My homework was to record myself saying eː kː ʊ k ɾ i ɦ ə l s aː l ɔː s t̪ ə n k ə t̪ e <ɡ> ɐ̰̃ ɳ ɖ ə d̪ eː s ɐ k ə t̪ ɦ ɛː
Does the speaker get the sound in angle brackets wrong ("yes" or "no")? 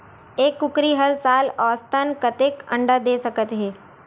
yes